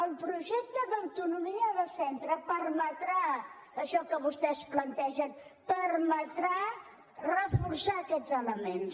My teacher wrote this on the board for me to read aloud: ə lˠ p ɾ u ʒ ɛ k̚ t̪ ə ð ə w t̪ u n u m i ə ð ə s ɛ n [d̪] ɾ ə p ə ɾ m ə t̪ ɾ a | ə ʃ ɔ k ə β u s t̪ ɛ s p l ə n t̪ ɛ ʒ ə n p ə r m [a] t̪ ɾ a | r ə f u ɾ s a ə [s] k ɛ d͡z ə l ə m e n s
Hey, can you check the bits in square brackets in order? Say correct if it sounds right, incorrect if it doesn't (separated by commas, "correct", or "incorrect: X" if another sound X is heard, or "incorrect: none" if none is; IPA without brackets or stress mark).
incorrect: t̪, incorrect: ə, incorrect: none